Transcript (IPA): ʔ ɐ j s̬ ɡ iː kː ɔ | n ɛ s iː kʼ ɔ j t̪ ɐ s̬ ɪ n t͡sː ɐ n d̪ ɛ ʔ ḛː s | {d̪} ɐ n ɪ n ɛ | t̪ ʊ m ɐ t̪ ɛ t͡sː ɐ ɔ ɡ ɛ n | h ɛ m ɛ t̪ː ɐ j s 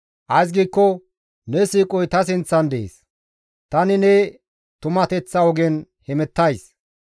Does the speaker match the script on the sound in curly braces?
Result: no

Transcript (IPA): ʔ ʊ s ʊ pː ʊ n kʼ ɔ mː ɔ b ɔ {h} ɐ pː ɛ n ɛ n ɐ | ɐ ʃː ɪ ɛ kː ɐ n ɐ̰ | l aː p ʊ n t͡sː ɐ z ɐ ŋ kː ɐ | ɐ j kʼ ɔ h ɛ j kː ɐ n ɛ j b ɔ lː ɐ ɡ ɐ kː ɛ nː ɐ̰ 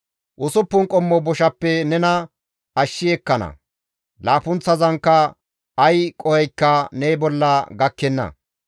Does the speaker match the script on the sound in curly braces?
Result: no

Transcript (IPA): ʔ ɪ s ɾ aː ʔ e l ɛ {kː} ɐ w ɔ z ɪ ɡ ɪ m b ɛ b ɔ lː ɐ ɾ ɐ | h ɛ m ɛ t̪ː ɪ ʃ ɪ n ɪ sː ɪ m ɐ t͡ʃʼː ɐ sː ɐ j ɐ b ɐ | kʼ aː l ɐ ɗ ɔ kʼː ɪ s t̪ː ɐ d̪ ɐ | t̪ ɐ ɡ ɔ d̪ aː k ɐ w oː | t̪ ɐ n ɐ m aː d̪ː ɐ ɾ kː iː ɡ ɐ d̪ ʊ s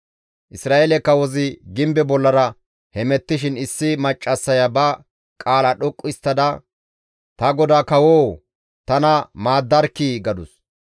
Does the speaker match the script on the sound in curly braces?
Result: yes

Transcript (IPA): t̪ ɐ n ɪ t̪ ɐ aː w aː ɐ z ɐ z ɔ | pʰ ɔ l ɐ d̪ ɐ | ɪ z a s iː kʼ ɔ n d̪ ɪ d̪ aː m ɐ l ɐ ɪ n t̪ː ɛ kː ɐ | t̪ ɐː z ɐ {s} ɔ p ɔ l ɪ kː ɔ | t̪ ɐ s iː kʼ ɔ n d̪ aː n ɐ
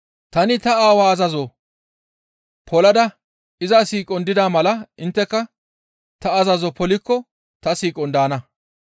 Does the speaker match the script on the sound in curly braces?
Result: no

